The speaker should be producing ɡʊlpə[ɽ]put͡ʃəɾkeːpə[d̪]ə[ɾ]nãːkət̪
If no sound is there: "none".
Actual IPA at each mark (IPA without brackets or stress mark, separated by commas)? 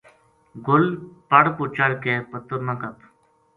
ɽ, t̪, ɾ